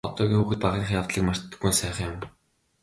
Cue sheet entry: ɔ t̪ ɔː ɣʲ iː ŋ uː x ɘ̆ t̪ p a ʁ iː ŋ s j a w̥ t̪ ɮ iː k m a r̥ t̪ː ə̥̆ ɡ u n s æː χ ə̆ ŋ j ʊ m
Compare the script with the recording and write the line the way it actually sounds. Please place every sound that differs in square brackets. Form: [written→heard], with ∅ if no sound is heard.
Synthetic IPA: ɔ t̪ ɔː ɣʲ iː ŋ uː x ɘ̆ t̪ p a ʁ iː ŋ [s→χ] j a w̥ t̪ ɮ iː k m a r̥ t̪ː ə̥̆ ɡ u n s æː χ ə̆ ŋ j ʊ m